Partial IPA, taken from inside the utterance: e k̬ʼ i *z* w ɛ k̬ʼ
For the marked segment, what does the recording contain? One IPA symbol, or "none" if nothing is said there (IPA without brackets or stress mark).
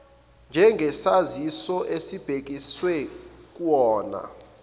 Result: s